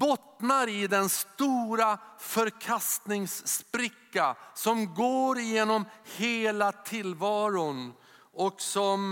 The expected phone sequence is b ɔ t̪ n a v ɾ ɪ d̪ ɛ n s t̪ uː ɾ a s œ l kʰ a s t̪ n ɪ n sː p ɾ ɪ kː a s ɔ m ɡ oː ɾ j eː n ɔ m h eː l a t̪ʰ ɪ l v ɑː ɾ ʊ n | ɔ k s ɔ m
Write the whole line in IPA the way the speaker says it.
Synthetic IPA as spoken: b ɔ t̪ n a ɾ ɪ d̪ ɛ n s t̪ uː ɾ a f œ ɾ kʰ a s t̪ n ɪ ŋ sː p ɾ ɪ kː a s ɔ m ɡ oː ɾ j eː n ɔ m h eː l a t̪ʰ ɪ l v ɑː ɾ ʊ n | ɔ k s ɔ m